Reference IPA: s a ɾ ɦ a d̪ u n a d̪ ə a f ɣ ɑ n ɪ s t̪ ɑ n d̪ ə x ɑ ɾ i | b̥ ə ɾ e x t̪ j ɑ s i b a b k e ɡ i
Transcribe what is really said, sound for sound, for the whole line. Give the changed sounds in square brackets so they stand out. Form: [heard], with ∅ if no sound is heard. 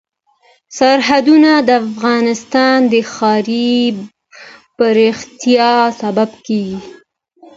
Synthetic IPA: s a ɾ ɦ a d̪ u n a d̪ ə a f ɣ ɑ n ɪ s t̪ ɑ n d̪ ə x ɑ ɾ i | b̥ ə ɾ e x t̪ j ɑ s [a] b a b k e ɡ i